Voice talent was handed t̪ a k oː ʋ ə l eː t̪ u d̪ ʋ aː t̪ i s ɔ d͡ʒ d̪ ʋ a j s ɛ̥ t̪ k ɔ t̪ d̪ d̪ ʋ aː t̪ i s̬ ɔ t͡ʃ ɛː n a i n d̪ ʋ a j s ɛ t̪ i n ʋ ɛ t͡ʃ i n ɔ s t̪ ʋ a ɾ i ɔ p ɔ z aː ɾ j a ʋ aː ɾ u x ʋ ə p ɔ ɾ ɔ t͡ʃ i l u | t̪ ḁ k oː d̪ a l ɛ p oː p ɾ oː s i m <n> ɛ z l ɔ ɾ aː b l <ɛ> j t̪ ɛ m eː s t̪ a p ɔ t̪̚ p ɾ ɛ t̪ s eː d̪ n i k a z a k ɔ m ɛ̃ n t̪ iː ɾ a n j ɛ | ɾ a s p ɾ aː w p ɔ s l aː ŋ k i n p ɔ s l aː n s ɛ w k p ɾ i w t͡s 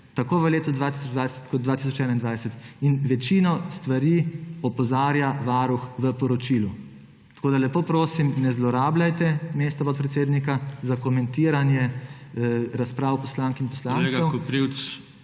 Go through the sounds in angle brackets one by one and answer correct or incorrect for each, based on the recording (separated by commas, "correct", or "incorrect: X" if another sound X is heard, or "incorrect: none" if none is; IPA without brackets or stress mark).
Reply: correct, incorrect: a